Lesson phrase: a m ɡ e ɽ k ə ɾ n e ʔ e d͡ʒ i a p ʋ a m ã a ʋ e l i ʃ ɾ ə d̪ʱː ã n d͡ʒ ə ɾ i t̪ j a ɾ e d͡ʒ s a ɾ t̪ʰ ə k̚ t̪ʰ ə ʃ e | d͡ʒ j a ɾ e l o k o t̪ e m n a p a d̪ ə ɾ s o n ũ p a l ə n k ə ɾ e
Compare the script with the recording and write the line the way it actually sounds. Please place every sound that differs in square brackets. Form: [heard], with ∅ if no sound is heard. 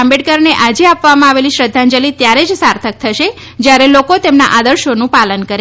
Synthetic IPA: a m [b] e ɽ k ə ɾ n e ʔ [a] d͡ʒ [e] a p ʋ a m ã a ʋ e l i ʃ ɾ ə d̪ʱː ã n d͡ʒ ə [l] i t̪ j a ɾ e d͡ʒ s a ɾ t̪ʰ ə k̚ t̪ʰ ə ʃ e | d͡ʒ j a ɾ e l o k o t̪ e m n a [ʔ] a d̪ ə ɾ [ʃ] o n ũ p a l ə n k ə ɾ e